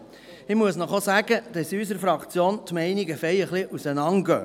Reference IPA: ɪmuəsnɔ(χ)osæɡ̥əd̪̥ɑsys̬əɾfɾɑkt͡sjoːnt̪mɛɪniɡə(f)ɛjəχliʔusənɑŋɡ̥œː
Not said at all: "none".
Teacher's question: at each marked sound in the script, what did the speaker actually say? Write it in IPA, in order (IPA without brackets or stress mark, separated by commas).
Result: χ, f